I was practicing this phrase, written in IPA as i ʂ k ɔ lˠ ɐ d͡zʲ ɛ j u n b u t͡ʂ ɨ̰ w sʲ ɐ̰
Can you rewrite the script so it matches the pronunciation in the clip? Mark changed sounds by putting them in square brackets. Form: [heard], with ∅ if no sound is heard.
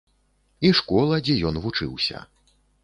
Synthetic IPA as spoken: i ʂ k ɔ lˠ ɐ d͡zʲ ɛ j [ɔ] n [v] u t͡ʂ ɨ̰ w sʲ ɐ̰

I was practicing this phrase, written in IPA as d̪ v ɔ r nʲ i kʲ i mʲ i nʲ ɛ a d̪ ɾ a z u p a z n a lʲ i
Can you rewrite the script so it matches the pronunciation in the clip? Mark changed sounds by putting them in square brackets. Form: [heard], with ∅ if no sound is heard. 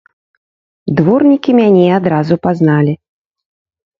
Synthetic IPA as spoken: d̪ v ɔ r nʲ i kʲ i mʲ [a] nʲ ɛ a d̪ ɾ a z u p a z n a lʲ i

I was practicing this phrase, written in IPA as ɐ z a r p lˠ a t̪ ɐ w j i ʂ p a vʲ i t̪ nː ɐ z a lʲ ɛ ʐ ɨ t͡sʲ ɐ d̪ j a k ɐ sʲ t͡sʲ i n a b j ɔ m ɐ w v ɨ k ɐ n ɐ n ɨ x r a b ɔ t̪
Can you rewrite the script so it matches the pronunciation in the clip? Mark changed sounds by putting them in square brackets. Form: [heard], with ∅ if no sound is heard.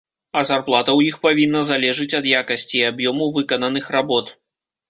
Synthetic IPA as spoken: ɐ z a r p lˠ a t̪ ɐ w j i [x] p a vʲ i [∅] nː ɐ z a lʲ ɛ ʐ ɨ t͡sʲ ɐ d̪ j a k ɐ sʲ t͡sʲ i [∅] a b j ɔ m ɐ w v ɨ k ɐ n ɐ n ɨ x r a b ɔ t̪

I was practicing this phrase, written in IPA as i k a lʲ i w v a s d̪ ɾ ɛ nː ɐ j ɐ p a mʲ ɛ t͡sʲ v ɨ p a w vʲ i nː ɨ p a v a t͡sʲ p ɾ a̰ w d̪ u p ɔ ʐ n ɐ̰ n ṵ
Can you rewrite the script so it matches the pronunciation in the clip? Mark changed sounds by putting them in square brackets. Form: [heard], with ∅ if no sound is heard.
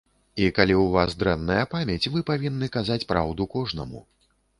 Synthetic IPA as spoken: i k a lʲ i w v a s d̪ ɾ ɛ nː ɐ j ɐ p a mʲ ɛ t͡sʲ v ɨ p a [∅] vʲ i nː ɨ [k] a [z] a t͡sʲ p ɾ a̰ w d̪ u [k] ɔ ʐ n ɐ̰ [m] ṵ

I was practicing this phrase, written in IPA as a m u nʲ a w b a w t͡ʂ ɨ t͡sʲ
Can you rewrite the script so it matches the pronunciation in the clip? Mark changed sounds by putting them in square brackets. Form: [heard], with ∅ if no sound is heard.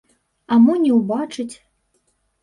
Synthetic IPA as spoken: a m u nʲ [ɛ] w b a [∅] t͡ʂ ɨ t͡sʲ

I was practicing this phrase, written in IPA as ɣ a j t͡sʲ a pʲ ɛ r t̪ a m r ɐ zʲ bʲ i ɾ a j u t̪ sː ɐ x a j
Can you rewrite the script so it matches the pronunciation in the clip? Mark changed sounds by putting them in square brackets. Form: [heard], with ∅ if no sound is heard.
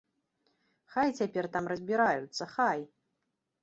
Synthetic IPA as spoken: [x] a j t͡sʲ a pʲ ɛ r t̪ a m r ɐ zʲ bʲ i ɾ a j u t̪ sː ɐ x a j

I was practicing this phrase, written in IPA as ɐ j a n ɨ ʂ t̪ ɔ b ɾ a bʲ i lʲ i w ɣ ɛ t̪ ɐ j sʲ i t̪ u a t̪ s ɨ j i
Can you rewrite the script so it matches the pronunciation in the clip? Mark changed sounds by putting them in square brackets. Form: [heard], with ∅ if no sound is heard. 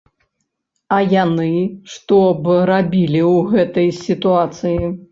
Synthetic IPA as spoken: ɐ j a n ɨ ʂ t̪ ɔ b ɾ a bʲ i lʲ i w ɣ ɛ t̪ ɐ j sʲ i t̪ u a t̪ s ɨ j i

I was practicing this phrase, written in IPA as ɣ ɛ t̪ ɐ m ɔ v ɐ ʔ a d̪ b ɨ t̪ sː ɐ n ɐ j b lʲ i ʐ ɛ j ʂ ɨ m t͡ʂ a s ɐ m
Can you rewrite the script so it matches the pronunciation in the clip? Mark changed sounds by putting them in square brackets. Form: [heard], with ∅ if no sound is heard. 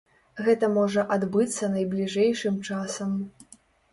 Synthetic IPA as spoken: ɣ ɛ t̪ ɐ m ɔ [ʐ] ɐ ʔ a d̪ b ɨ t̪ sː ɐ n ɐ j b lʲ i ʐ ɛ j ʂ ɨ m t͡ʂ a s ɐ m

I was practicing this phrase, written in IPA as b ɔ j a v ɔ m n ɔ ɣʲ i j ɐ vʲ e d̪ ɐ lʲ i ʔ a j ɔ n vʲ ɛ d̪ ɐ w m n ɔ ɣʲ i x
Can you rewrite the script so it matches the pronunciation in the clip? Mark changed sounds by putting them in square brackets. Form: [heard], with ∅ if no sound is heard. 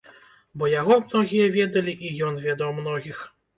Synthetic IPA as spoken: b ɔ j a [ɣ] ɔ m n ɔ ɣʲ i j ɐ vʲ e d̪ ɐ lʲ i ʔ [i] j ɔ n vʲ ɛ d̪ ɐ w m n ɔ ɣʲ i x

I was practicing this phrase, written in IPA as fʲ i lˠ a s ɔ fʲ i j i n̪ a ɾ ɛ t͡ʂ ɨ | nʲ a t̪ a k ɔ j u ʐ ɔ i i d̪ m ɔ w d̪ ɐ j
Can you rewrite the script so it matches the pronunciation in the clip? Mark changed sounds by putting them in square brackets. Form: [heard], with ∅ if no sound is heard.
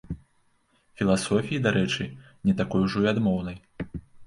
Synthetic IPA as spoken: fʲ i lˠ a s ɔ fʲ i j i [d̪] a ɾ ɛ t͡ʂ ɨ | nʲ [ɛ] t̪ a k ɔ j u ʐ ɔ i [a] d̪ m ɔ w [n̪] ɐ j

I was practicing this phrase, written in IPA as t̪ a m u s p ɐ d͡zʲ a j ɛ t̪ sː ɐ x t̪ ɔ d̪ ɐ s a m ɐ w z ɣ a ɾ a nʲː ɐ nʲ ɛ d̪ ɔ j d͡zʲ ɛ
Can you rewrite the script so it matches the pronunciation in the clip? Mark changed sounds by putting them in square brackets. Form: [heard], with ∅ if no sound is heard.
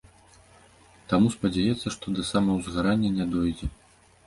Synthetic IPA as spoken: t̪ a m u s p ɐ d͡zʲ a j ɛ t̪ sː ɐ [ʂ] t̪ ɔ d̪ ɐ s a m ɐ w z ɣ a ɾ a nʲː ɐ nʲ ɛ d̪ ɔ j d͡zʲ ɛ

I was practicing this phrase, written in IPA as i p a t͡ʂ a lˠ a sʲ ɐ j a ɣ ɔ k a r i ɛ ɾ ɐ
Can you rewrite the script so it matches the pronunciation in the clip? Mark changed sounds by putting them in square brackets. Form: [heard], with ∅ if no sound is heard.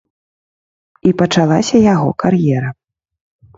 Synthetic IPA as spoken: i p [ɐ] t͡ʂ a lˠ a sʲ ɐ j a ɣ ɔ k a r [j] ɛ ɾ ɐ

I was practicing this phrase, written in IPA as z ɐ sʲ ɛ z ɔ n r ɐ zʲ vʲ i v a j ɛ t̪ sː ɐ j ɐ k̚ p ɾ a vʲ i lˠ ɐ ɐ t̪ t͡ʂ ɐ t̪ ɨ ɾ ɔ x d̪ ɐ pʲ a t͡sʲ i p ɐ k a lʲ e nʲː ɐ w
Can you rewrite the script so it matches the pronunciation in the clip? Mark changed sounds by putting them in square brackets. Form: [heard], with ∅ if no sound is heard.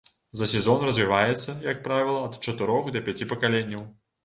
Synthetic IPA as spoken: z ɐ sʲ ɛ z ɔ n r ɐ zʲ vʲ i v a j ɛ t̪ sː ɐ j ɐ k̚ p ɾ a vʲ i lˠ ɐ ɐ t̪ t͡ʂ ɐ t̪ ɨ ɾ ɔ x d̪ ɐ pʲ a t͡sʲ i p ɐ k a lʲ e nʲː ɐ w

